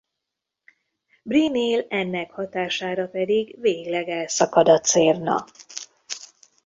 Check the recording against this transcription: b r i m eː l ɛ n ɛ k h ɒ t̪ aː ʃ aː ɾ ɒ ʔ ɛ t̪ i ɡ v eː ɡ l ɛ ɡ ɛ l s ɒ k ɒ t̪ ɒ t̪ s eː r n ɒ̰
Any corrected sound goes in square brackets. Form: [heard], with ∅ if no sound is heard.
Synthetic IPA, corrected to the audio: b r i [n] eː l ɛ [nː] ɛ k h ɒ t̪ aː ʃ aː ɾ ɒ [p] ɛ [d̪] i ɡ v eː ɡ l ɛ ɡ ɛ l s ɒ k ɒ [d̪] ɒ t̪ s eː r n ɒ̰